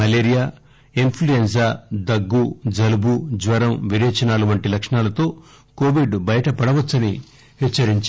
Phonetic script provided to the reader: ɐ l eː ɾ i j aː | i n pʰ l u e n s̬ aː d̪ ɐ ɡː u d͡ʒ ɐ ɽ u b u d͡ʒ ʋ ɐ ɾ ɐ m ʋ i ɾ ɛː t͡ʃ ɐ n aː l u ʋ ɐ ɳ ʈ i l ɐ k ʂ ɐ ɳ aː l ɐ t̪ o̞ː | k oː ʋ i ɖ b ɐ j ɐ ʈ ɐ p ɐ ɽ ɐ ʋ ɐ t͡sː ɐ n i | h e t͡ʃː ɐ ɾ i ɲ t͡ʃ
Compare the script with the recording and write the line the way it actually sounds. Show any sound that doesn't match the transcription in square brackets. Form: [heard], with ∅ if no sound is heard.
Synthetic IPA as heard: ɐ l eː ɾ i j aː | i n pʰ l u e n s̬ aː d̪ ɐ ɡː u d͡ʒ ɐ [l] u b u d͡ʒ ʋ ɐ ɾ ɐ m ʋ i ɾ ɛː t͡ʃ ɐ n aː l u ʋ ɐ ɳ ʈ i l ɐ k ʂ ɐ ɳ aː l ɐ t̪ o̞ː | k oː ʋ i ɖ b ɐ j ɐ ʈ ɐ p ɐ ɽ ɐ ʋ ɐ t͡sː ɐ n i | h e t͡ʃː ɐ ɾ i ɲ t͡ʃ